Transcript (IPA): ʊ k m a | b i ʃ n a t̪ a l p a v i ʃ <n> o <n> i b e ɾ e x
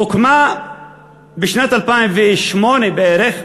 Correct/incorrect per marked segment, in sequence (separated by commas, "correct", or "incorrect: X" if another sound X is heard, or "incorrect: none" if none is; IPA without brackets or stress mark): incorrect: m, correct